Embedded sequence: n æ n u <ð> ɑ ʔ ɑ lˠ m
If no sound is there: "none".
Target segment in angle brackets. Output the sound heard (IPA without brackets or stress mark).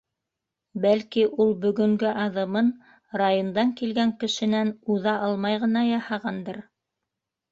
ð